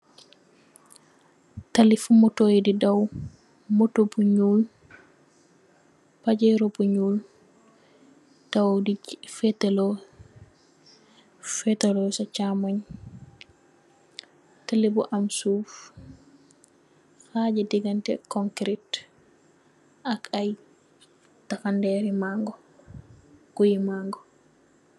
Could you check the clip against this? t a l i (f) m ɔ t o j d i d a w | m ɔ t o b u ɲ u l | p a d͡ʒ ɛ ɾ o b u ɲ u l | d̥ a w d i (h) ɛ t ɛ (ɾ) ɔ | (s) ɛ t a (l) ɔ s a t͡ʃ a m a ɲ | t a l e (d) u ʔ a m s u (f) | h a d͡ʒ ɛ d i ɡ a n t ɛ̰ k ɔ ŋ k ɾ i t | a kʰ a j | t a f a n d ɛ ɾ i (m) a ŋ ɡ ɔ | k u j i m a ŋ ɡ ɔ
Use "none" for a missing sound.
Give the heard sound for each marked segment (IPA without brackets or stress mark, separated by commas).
f, f, l, f, l, b, f, m